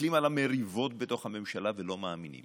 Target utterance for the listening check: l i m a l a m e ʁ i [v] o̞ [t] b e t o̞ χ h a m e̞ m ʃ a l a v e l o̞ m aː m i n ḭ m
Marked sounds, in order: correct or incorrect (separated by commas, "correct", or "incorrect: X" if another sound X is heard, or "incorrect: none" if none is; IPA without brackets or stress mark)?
correct, correct